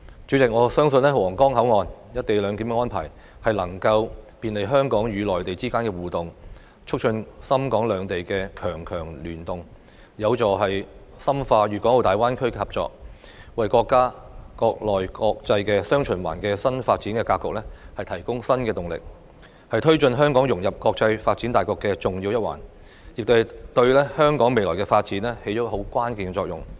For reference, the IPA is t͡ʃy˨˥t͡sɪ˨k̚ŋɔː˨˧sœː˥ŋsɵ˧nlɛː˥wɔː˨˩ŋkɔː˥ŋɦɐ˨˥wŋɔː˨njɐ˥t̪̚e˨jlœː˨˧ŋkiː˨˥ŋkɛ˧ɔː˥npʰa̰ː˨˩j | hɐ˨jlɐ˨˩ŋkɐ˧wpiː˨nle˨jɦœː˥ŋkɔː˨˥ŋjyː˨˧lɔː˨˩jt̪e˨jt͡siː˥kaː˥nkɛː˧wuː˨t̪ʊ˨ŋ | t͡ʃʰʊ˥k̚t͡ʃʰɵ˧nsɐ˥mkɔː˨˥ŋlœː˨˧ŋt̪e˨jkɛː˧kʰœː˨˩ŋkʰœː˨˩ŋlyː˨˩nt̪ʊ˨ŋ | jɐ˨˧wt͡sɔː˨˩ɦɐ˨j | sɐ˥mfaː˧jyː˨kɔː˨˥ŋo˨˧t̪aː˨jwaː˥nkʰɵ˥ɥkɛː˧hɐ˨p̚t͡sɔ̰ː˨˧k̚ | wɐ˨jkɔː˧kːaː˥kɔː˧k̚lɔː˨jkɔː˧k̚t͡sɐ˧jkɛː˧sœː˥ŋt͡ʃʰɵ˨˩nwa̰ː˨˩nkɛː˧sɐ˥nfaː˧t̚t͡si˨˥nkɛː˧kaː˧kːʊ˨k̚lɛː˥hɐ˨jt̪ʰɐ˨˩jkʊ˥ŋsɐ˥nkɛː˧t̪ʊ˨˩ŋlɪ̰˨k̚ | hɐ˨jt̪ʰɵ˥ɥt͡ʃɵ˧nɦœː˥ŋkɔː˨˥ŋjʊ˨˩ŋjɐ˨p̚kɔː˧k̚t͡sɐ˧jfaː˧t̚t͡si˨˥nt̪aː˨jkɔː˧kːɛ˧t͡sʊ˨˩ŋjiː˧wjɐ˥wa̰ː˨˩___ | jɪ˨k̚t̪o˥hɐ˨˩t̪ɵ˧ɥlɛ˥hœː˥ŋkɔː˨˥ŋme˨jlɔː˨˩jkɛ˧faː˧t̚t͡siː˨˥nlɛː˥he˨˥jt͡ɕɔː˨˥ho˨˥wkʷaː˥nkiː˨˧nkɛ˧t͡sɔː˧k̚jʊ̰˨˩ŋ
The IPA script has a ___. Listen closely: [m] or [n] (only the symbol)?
n